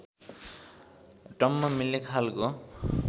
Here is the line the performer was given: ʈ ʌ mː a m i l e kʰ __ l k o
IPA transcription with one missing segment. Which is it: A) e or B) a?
B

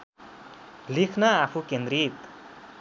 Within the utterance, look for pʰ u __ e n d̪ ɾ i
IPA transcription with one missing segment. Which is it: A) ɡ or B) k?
B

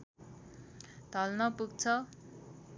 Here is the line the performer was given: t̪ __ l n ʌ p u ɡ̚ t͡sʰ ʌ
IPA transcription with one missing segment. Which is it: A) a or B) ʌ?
B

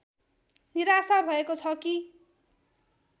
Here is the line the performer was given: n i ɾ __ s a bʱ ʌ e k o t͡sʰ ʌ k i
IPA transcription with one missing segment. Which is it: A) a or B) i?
A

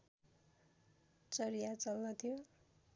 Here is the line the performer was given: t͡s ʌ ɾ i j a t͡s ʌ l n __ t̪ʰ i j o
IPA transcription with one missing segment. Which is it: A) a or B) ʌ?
B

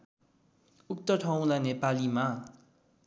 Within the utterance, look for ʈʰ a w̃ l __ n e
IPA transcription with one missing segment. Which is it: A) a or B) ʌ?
A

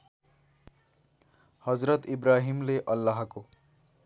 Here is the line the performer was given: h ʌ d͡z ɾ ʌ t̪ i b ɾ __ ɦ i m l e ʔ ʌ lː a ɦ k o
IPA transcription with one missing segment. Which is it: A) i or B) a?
B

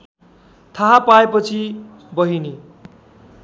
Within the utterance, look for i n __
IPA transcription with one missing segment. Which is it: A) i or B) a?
A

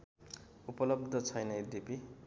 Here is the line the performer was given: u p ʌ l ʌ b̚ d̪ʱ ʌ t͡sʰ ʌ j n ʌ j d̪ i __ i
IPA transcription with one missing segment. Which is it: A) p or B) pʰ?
A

